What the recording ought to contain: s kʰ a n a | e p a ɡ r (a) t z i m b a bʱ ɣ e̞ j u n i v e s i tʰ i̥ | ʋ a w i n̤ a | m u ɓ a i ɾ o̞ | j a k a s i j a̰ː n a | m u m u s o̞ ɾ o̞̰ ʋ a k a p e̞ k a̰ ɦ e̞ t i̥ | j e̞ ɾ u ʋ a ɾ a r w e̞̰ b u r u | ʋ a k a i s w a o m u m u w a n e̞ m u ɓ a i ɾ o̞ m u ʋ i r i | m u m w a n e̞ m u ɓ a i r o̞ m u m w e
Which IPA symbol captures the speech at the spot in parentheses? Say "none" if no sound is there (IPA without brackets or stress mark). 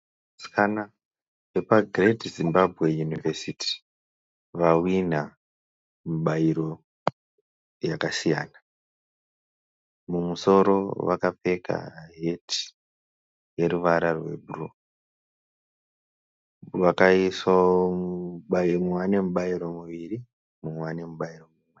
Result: e